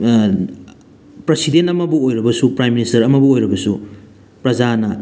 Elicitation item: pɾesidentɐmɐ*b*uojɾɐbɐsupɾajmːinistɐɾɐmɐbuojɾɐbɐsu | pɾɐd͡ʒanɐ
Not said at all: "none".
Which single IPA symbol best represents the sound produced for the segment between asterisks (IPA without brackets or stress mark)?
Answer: b